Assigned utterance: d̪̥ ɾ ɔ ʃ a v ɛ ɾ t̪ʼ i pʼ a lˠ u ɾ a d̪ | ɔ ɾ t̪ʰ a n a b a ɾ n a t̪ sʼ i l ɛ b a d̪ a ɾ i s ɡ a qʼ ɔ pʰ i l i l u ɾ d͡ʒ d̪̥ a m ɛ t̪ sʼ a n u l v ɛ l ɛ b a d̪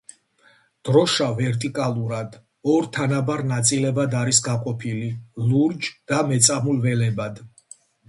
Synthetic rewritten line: d̪̥ ɾ ɔ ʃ a v ɛ ɾ t̪ʼ i kʼ a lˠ u ɾ a d̪ | ɔ ɾ t̪ʰ a n a b a ɾ n a t̪ sʼ i l ɛ b a d̪ a ɾ i s ɡ a qʼ ɔ pʰ i l i l u ɾ d͡ʒ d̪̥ a m ɛ t̪ sʼ a m u l v ɛ l ɛ b a d̪